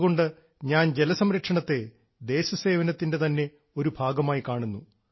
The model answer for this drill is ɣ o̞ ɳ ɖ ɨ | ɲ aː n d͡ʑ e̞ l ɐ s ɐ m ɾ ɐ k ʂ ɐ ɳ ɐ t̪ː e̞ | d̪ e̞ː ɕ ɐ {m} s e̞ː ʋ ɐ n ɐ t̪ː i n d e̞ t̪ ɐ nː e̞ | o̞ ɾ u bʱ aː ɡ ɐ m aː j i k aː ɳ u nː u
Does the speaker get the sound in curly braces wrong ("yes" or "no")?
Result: yes